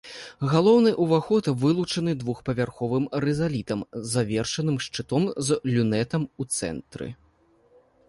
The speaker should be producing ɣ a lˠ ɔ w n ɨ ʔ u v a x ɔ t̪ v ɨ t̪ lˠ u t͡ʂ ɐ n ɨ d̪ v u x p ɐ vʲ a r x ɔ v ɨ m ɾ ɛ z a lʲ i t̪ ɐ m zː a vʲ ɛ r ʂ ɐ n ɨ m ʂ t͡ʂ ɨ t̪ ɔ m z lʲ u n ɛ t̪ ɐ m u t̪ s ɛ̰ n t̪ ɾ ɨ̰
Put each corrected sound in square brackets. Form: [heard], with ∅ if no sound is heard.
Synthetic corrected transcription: ɣ a lˠ ɔ w n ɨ ʔ u v a x ɔ t̪ v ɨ [∅] lˠ u t͡ʂ ɐ n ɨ d̪ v u x p ɐ vʲ a r x ɔ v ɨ m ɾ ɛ z a lʲ i t̪ ɐ m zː a vʲ ɛ r ʂ ɐ n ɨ m ʂ t͡ʂ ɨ t̪ ɔ m z lʲ u n ɛ t̪ ɐ m u t̪ s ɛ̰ n t̪ ɾ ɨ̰